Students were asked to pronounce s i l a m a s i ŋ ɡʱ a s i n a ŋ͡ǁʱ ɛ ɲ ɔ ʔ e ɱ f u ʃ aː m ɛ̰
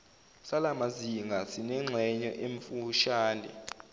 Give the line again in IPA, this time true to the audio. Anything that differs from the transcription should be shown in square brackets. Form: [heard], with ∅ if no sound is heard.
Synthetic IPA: s [a] l a m a [z] i ŋ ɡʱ a s i n [ɛ] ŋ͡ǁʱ ɛ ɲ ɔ ʔ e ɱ f u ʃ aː [n] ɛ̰